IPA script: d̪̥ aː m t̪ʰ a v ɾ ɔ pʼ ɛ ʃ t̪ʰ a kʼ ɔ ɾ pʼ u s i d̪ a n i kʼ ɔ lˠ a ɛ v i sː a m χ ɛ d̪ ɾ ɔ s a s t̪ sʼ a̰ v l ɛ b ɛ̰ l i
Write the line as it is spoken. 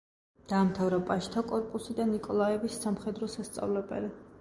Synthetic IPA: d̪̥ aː m t̪ʰ a v ɾ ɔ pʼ a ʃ t̪ʰ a kʼ ɔ ɾ pʼ u s i d̪ a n i kʼ ɔ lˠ a ɛ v i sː a m χ ɛ d̪ ɾ ɔ s a s t̪ sʼ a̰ v l ɛ b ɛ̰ l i